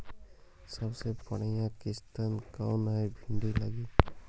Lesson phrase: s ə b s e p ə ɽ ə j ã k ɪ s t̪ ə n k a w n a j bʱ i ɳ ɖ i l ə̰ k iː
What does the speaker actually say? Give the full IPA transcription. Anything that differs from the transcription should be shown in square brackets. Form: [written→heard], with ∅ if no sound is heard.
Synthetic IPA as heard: s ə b s e p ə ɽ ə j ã k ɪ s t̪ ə n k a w n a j bʱ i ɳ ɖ i l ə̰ [k→ɡ] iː